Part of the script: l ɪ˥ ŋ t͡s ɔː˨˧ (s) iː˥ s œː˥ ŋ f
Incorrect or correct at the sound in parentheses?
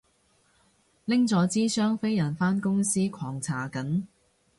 incorrect: t͡s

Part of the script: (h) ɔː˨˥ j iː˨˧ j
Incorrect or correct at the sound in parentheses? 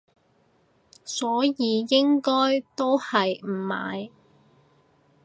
incorrect: s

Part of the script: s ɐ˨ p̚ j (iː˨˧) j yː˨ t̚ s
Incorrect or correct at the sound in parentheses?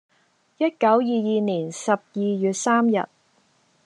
correct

